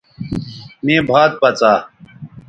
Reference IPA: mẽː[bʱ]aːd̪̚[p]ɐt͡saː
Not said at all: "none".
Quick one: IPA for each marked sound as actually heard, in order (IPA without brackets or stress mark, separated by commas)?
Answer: bʱ, p